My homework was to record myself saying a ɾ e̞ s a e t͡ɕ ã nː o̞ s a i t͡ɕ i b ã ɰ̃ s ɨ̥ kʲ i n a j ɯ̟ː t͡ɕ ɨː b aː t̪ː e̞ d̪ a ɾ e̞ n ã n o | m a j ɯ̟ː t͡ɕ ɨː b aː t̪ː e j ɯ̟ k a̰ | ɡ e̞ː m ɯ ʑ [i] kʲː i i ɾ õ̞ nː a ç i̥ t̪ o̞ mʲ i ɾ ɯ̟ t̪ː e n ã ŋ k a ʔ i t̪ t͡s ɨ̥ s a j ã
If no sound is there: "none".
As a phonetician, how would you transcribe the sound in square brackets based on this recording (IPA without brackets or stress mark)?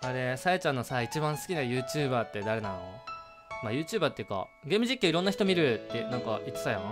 i